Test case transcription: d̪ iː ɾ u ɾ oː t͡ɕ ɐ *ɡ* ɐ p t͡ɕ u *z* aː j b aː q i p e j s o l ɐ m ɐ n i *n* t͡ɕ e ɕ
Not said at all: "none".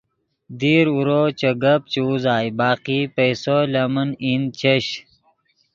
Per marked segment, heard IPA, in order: ɡ, z, n

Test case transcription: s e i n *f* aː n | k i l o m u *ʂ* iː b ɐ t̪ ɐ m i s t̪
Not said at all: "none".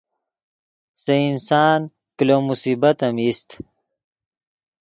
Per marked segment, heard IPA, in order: s, s

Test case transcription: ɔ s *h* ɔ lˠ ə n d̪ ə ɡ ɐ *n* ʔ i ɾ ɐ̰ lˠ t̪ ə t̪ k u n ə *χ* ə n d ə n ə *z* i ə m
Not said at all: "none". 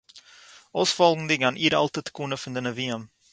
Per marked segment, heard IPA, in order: f, n, f, v

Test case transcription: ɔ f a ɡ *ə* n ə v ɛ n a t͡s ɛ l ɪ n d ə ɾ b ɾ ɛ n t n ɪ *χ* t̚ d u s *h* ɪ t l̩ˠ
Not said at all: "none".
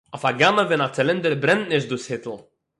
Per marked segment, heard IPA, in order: a, ʃ, h

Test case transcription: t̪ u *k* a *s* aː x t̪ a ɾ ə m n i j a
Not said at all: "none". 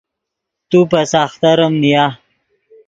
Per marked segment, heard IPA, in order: p, s

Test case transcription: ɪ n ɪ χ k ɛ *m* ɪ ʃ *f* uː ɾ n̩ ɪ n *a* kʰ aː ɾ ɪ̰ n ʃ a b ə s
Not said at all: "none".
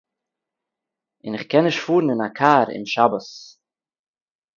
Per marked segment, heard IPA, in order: n, f, a

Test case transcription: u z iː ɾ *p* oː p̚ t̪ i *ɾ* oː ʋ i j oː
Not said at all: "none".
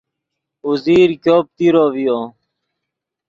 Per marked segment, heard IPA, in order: k, ɾ

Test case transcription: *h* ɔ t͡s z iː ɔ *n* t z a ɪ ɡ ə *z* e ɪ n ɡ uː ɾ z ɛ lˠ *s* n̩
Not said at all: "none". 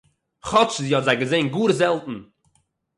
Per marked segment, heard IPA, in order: χ, none, z, t

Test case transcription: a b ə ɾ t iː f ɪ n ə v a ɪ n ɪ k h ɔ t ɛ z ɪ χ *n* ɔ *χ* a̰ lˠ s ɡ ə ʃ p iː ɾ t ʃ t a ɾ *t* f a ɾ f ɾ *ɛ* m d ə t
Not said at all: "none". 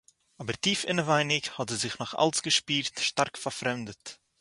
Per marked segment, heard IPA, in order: n, χ, k, ɛ

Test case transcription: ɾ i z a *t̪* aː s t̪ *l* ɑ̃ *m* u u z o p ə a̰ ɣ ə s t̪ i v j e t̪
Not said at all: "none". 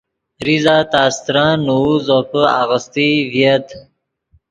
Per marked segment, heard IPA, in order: t̪, ɾ, n

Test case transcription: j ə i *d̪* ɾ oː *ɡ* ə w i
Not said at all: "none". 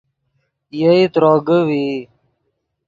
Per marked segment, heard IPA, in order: t̪, ɡ

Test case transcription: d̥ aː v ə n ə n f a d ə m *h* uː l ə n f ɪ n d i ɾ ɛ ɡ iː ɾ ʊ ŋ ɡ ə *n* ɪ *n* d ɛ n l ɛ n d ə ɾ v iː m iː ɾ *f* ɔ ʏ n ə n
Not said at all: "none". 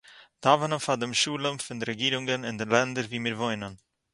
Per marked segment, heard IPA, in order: ʃ, n, n, v

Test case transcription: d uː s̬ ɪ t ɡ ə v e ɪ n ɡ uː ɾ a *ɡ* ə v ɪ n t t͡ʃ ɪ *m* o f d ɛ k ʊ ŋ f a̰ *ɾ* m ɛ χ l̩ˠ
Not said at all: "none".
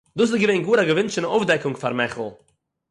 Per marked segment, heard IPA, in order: ɡ, n, ɾ

